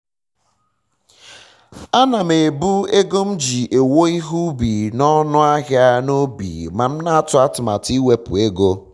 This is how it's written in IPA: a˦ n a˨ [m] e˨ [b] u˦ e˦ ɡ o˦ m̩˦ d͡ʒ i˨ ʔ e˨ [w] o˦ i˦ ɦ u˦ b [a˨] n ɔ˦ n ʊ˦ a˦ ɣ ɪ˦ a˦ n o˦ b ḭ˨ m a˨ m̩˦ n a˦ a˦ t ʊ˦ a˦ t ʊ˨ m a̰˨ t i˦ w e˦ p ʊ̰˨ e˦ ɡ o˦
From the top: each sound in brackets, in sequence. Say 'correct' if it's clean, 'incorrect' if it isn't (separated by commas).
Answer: correct, correct, correct, incorrect